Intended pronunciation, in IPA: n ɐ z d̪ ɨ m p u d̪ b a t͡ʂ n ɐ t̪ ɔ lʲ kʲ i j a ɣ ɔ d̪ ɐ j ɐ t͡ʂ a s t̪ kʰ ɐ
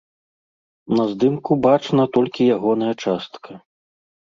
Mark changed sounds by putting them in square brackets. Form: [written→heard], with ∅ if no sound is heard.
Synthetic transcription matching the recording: n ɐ z d̪ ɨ m [p→k] u [d̪→∅] b a t͡ʂ n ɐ t̪ ɔ lʲ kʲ i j a ɣ ɔ [d̪→n̪] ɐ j ɐ t͡ʂ a s t̪ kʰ ɐ